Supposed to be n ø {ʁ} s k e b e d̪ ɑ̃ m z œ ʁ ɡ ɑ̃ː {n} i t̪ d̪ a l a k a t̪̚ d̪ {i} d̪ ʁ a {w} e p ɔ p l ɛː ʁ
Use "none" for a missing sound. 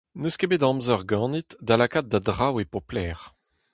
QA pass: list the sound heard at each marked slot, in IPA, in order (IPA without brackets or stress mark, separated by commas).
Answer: none, n, a, w